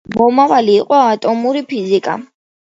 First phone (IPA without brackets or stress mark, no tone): b